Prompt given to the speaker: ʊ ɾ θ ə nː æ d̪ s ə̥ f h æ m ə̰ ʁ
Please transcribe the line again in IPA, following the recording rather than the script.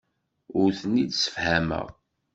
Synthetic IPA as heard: ʊ ɾ θ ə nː i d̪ s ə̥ f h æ m ə̰ ʁ